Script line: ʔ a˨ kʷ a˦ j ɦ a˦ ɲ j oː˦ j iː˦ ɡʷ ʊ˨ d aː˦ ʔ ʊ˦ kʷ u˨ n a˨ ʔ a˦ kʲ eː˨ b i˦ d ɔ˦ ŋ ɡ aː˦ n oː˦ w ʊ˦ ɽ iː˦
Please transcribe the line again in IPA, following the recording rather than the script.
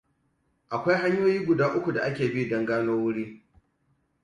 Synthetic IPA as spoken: ʔ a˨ kʷ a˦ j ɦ a˦ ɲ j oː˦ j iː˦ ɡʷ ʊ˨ d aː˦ ʔ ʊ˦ kʷ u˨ d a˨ ʔ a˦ kʲ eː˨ b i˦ d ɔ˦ ŋ ɡ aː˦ n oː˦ w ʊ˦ ɽ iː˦